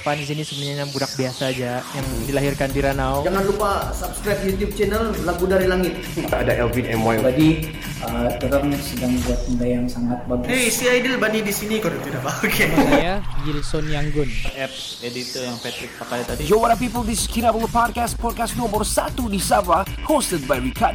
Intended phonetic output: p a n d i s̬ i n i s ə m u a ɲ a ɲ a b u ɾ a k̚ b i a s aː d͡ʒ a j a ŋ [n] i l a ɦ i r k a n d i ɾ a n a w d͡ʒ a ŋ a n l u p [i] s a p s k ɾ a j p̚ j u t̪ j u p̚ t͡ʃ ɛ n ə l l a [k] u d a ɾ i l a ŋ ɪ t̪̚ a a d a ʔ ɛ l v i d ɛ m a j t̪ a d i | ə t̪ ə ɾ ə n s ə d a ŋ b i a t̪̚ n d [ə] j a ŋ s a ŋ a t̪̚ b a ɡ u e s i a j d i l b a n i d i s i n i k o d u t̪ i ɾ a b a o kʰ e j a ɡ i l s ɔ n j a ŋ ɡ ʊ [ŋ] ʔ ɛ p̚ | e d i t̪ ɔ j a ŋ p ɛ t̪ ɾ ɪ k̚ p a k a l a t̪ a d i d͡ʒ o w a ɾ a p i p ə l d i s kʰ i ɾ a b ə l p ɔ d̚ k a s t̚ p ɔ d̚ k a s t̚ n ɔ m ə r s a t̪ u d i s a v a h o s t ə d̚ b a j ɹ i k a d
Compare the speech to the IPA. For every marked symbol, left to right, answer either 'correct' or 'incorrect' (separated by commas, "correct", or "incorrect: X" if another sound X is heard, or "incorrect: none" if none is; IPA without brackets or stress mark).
incorrect: d, incorrect: a, incorrect: ɡ, incorrect: a, incorrect: n